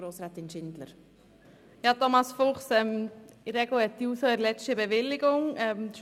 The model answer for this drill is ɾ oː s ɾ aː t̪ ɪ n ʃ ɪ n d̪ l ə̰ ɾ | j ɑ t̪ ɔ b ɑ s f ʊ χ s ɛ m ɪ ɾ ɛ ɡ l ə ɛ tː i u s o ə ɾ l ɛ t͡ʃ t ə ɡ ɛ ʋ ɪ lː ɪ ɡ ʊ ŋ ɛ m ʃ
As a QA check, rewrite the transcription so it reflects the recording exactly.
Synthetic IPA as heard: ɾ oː s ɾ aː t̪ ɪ n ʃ ɪ n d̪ l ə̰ ɾ | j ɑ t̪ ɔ m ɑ s f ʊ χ s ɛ m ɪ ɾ ɛ ɡ l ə ɛ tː i u s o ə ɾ l ɛ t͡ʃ t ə b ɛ ʋ ɪ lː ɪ ɡ ʊ ŋ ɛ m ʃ